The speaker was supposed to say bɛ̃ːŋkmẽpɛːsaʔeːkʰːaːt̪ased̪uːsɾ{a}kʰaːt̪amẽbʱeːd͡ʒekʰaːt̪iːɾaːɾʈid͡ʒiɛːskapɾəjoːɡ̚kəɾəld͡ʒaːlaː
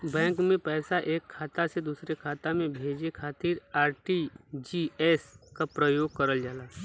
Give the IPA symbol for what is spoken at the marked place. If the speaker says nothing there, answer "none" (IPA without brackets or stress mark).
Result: e